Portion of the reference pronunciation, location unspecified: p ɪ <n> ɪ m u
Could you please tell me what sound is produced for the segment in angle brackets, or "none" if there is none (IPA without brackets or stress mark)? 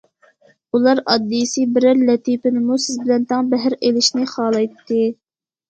n